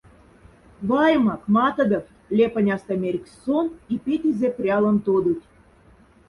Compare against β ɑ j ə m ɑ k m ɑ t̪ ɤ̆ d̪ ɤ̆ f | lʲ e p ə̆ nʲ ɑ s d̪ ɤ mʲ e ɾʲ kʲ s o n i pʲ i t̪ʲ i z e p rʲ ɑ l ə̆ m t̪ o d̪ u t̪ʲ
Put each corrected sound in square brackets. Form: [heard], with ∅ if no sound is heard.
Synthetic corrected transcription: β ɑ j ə m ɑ k m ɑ t̪ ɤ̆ d̪ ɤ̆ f | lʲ e p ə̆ nʲ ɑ s [t̪] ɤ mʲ e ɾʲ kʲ s o n i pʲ [e] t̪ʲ i z e p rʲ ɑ l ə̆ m t̪ o d̪ u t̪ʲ